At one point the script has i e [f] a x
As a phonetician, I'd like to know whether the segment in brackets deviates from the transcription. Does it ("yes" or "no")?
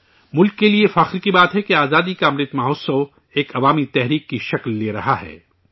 no